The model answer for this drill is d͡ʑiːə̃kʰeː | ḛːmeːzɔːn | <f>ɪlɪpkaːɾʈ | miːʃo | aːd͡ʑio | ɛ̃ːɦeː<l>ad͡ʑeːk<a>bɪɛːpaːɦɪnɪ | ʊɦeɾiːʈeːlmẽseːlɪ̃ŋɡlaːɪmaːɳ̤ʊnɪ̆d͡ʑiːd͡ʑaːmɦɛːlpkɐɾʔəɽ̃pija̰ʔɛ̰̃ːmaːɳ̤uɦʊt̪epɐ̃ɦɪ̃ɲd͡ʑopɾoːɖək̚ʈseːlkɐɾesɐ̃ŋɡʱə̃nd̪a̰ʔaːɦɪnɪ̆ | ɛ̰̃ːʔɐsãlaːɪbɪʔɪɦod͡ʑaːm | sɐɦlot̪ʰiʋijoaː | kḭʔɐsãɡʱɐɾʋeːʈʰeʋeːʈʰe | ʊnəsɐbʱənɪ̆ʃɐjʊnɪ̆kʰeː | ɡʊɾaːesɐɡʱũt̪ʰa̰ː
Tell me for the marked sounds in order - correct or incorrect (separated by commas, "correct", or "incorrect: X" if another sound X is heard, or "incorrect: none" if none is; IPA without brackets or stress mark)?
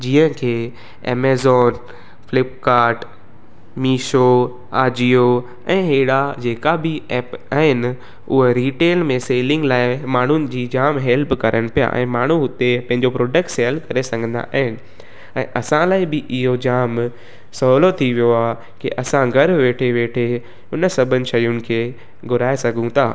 correct, incorrect: ɽ, correct